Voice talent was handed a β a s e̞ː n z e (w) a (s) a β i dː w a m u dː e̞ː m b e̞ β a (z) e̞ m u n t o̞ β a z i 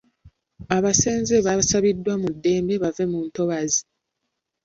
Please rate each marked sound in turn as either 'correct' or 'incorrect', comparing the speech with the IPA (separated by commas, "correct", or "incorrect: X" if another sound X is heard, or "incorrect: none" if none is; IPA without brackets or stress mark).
incorrect: β, correct, incorrect: v